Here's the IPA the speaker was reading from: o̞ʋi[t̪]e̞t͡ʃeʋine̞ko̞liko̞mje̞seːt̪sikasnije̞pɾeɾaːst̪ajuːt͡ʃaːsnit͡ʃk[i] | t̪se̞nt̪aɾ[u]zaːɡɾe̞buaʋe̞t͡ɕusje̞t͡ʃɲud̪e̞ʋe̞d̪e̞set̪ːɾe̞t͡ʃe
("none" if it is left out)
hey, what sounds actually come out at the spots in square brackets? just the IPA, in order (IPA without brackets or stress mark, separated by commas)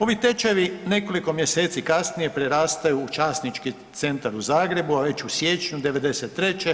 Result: t̪, i, u